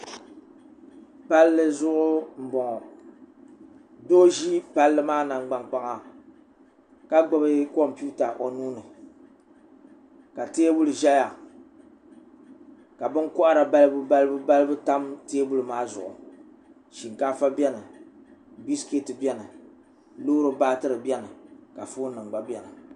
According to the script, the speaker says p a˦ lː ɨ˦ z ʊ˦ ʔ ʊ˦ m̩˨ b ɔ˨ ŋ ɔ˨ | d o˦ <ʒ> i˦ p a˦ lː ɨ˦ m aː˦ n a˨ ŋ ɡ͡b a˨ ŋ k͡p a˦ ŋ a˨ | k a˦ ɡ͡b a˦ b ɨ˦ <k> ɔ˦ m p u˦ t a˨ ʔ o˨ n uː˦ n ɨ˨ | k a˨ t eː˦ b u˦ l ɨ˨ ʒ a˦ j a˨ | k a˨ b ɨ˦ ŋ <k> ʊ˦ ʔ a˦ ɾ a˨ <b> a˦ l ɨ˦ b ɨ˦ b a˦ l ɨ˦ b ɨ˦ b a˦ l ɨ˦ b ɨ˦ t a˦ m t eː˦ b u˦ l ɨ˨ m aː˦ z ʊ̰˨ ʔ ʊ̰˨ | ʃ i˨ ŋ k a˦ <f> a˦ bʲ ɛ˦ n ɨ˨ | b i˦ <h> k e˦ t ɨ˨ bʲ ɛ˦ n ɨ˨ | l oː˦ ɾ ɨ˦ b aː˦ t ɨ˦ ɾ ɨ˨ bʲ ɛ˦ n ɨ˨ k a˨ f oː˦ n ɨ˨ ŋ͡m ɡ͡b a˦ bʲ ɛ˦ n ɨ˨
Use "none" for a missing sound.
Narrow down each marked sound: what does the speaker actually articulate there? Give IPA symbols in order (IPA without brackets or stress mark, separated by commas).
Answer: ʒ, k, k, b, f, s